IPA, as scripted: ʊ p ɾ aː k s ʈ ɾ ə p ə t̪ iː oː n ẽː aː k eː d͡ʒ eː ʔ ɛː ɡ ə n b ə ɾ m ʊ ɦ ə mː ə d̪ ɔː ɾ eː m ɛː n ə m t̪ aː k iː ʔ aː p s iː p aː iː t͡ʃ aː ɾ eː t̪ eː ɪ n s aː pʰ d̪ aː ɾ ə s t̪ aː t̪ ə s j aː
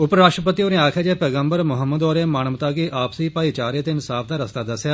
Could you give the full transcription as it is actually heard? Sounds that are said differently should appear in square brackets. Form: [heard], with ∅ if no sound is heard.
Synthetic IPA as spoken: ʊ p ɾ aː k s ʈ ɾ ə p ə t̪ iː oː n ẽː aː [kʰ] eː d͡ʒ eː [p] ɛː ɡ ə [m] b ə ɾ m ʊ ɦ ə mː ə d̪ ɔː ɾ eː m [aː] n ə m t̪ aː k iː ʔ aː p s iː p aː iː t͡ʃ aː ɾ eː t̪ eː ɪ n s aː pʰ d̪ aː ɾ ə s t̪ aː [d̪] ə s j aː